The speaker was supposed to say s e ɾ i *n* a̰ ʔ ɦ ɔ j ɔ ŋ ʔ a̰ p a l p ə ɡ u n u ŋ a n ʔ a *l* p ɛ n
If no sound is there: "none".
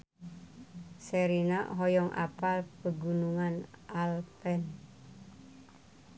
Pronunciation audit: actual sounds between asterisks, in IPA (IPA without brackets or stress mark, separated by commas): n, l